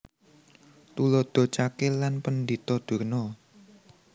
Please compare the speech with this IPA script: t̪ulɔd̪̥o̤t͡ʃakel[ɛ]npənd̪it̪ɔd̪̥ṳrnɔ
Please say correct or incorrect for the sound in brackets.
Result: incorrect